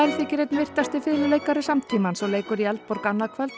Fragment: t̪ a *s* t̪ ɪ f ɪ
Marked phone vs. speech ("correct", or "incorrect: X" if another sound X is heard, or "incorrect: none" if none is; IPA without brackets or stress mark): correct